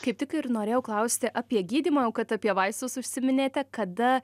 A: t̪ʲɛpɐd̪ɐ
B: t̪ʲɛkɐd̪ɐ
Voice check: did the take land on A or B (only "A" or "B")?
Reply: B